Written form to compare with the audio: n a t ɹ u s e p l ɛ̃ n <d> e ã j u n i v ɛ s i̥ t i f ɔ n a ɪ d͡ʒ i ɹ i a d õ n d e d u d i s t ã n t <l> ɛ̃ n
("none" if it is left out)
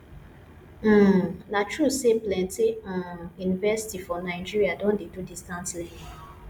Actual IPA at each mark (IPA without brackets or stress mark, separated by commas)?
t, l